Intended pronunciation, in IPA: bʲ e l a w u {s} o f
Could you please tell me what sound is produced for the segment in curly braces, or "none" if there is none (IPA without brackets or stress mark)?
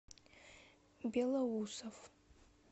s